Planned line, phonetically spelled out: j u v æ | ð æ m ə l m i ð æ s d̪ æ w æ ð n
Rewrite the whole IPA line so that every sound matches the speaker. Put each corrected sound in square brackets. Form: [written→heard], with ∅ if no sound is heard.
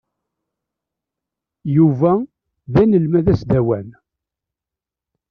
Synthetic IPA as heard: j u v æ | ð æ [m→n] ə l m [i→æ] ð æ s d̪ æ w æ [ð→∅] n